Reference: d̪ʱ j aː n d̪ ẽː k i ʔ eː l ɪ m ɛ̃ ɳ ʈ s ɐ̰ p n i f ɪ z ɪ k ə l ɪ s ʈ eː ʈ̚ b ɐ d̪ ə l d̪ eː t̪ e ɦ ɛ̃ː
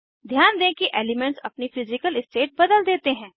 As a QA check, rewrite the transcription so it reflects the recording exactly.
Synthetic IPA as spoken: d̪ʱ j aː n d̪ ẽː k i ʔ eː l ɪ m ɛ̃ ɳ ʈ s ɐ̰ p n i f ɪ z ɪ k ə l ɪ s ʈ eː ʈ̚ b ɐ d̪ ə l d̪ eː t̪ e ɦ ɛ̃ː